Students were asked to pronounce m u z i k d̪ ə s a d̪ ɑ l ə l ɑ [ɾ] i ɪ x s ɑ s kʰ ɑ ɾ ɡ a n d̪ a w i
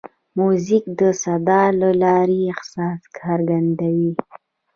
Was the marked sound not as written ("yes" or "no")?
no